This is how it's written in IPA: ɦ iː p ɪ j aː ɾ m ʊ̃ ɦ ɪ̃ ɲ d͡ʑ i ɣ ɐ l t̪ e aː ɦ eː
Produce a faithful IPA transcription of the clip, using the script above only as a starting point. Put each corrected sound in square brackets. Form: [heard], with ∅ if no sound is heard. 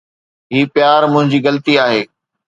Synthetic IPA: ɦ iː p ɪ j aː ɾ m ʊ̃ ɦ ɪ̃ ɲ d͡ʑ [iː] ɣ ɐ l t̪ [i] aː ɦ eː